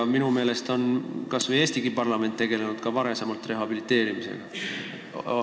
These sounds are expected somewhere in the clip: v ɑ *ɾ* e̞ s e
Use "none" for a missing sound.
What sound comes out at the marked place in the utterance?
ɾ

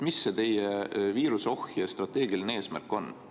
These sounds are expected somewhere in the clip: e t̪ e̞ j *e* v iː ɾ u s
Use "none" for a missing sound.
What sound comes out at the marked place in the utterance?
e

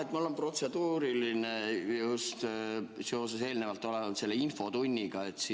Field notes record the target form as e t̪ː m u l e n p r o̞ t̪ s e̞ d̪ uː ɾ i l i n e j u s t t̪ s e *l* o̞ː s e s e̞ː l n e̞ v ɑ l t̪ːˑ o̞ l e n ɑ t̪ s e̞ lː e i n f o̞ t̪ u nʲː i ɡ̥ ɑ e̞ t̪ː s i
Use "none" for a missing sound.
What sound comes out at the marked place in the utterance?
none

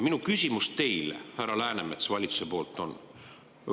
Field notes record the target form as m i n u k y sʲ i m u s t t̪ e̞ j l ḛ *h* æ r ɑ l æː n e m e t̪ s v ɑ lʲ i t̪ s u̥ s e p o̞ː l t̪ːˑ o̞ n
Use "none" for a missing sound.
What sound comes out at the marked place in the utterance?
h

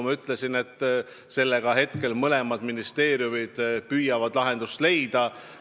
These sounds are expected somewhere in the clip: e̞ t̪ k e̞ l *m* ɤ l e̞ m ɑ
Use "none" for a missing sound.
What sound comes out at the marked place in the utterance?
m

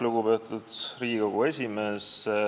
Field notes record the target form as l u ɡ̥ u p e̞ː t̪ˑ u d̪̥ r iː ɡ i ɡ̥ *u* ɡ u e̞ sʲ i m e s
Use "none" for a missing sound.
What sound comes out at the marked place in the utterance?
o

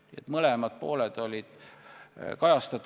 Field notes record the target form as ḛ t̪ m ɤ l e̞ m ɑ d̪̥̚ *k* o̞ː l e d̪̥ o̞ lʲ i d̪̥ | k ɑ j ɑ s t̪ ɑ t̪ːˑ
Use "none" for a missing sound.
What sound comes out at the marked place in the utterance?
p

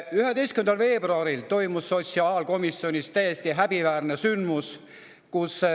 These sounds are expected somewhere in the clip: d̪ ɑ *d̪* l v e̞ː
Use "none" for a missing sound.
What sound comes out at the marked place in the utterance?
none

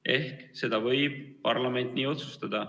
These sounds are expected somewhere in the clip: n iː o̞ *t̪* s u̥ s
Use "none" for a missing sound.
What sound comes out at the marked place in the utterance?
t̪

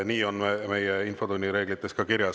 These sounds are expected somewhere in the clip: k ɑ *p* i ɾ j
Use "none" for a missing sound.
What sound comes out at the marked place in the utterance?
k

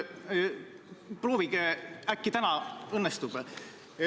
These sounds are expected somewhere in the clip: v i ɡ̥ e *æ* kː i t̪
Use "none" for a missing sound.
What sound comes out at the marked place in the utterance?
æ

